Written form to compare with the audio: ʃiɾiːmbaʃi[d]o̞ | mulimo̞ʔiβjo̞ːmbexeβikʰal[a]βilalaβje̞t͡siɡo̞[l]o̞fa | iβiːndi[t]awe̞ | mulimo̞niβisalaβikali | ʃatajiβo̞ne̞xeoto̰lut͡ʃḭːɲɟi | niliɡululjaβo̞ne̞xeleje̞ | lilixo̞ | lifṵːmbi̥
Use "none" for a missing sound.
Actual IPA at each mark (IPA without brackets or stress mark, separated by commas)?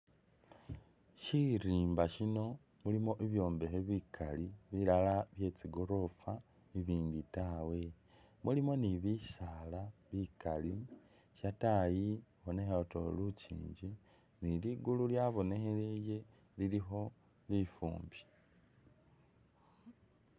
n, i, ɾ, t